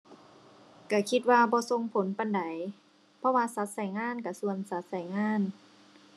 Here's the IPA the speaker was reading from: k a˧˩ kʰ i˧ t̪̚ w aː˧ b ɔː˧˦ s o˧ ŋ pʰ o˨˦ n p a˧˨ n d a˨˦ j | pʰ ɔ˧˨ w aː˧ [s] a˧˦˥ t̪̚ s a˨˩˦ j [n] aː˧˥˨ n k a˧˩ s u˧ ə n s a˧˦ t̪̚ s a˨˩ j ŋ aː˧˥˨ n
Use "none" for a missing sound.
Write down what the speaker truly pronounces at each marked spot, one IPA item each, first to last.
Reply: s, ŋ

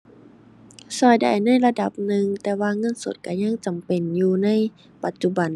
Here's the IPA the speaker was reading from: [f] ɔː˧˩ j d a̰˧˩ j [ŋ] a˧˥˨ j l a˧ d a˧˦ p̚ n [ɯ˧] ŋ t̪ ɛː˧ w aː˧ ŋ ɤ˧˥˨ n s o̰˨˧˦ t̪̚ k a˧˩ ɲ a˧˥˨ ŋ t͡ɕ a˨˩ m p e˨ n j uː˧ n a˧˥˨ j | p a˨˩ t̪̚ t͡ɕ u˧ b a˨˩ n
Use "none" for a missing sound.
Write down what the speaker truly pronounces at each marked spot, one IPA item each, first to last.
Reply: s, n, ɯ˧

